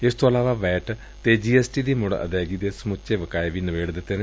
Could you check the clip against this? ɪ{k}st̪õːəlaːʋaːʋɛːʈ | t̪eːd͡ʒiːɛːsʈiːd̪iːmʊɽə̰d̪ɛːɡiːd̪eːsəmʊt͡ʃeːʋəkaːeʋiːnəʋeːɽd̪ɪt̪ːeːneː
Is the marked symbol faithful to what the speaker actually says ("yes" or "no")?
no